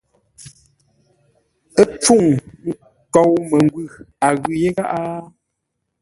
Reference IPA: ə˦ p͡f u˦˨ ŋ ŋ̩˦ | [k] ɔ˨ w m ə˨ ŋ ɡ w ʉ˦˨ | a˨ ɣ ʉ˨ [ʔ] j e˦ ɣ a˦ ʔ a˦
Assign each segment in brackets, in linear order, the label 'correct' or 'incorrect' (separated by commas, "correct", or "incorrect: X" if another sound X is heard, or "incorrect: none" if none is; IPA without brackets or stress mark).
correct, incorrect: none